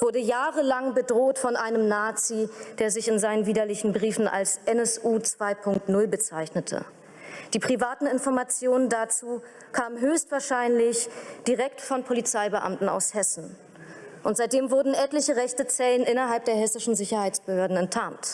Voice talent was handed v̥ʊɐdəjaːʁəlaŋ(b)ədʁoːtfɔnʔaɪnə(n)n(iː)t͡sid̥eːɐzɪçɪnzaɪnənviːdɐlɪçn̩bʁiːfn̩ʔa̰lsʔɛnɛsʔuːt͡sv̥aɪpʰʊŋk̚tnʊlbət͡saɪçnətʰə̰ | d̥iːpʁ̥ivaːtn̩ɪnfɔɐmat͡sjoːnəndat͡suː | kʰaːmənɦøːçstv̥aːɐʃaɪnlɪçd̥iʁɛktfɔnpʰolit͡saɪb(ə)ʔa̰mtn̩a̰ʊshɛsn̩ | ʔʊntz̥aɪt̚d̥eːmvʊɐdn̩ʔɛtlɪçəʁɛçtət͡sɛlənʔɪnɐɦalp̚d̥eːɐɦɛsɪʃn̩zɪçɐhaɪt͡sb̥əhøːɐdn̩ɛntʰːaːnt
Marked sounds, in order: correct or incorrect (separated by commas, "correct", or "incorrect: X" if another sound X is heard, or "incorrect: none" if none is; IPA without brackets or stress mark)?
correct, incorrect: m, incorrect: aː, correct